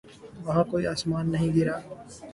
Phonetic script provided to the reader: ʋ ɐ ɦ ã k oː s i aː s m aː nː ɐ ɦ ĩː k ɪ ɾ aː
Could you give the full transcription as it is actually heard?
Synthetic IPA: ʋ ɐ ɦ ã k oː i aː s m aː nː ɐ ɦ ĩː ɡ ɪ ɾ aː